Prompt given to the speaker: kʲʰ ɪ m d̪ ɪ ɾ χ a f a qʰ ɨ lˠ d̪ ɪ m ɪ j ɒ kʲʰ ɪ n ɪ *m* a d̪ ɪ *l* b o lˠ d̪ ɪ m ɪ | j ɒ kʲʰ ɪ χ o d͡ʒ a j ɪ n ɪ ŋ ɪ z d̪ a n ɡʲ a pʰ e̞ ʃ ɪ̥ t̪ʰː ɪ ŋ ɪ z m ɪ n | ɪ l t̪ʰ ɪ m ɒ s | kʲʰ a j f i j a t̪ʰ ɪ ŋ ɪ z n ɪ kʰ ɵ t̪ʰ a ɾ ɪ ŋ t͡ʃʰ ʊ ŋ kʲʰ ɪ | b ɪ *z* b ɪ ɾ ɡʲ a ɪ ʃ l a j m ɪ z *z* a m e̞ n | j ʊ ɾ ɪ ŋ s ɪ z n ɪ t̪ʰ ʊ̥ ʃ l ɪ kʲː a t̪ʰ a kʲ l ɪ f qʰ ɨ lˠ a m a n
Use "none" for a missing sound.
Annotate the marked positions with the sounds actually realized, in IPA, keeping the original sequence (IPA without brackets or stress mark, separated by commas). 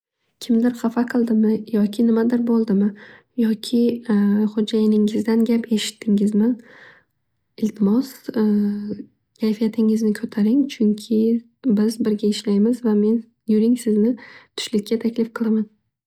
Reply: m, ɾ, z, v